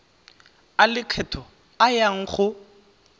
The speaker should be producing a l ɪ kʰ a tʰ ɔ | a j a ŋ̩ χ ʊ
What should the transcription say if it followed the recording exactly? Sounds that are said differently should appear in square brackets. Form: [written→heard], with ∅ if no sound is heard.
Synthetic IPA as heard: a l ɪ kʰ [a→ɛ] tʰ ɔ | a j a ŋ̩ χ ʊ